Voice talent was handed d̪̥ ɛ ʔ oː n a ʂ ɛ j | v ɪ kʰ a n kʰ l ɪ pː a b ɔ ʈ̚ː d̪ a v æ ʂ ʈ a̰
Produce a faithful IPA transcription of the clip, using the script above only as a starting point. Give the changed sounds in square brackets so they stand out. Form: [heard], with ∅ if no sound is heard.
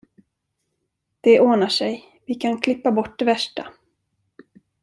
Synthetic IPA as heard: d̪̥ ɛ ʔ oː n a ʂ ɛ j | v ɪ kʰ a n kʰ l ɪ pː a b ɔ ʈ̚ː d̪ [ɛ] v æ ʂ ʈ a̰

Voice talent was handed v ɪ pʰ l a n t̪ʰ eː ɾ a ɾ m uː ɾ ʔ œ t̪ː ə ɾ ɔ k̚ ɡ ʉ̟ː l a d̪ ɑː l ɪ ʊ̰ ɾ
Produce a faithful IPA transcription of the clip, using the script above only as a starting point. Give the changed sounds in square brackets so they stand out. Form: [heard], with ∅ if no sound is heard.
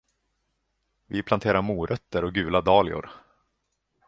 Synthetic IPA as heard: v ɪ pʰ l a n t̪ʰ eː ɾ a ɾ m uː ɾ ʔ œ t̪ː ə ɾ ɔ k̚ ɡ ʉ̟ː l a d̪ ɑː l ɪ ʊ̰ ɾ

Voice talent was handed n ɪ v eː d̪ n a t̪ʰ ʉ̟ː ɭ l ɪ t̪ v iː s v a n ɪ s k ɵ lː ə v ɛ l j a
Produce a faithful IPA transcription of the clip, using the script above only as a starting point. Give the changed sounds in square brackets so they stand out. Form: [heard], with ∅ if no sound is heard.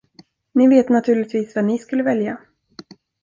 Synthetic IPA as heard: n ɪ v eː [t̪] n a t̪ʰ ʉ̟ː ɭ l ɪ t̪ v iː s v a n ɪ s k ɵ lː ə v ɛ l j a

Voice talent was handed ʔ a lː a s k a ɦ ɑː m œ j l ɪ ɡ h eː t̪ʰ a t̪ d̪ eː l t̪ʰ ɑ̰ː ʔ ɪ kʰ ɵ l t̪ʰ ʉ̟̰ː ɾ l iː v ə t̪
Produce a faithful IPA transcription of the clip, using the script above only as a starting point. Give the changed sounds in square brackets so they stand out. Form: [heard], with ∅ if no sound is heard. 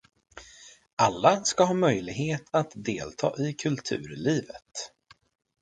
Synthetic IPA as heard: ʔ a lː a s k a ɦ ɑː m œ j l ɪ ɡ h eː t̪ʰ a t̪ d̪ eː l t̪ʰ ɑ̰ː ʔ ɪ kʰ ɵ l t̪ʰ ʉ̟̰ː ɾ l iː v ə t̪

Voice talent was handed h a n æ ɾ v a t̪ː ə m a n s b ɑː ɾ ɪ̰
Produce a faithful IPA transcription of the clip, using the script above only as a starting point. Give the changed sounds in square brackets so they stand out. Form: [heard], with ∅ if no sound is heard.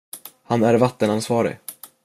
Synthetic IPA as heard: h a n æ ɾ v a t̪ː ə [n] a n s [v] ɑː ɾ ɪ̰

